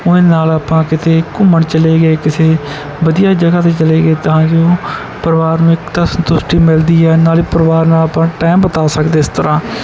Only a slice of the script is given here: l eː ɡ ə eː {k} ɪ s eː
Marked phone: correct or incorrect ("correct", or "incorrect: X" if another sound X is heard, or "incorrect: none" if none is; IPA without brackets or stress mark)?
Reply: correct